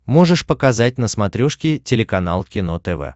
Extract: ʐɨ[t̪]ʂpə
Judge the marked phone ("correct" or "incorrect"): incorrect